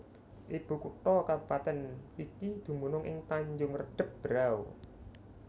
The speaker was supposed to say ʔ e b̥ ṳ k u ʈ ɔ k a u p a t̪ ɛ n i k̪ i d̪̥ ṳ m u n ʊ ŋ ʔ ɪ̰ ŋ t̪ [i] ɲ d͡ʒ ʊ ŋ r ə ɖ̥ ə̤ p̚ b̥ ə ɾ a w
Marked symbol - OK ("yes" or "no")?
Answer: no